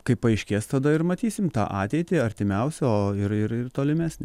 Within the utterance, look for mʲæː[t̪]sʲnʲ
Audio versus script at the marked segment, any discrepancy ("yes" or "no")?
yes